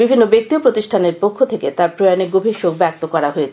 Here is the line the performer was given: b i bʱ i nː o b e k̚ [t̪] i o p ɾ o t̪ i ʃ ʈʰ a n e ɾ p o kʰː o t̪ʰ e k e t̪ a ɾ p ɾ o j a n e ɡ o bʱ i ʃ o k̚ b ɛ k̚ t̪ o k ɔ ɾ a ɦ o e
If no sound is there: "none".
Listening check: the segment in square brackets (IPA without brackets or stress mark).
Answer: t̪